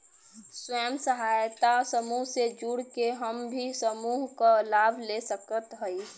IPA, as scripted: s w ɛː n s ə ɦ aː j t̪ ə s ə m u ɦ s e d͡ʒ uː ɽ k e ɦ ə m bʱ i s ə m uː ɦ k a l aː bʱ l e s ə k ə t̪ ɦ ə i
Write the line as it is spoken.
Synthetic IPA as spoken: s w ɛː m s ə ɦ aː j t̪ a s ə m u ɦ s e d͡ʒ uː ɽ k e ɦ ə m bʱ i s ə m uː ɦ k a l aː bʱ l e s ə k ə t̪ ɦ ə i